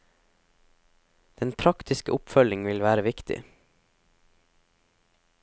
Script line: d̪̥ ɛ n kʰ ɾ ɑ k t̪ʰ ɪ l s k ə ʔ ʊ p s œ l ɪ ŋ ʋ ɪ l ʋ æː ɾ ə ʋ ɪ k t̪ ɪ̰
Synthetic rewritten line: d̪̥ ɛ n pʰ ɾ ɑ k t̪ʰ ɪ s k ə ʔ ʊ p f œ l ɪ ŋ ʋ ɪ l ʋ æː ɾ ə ʋ ɪ k t̪ ɪ̰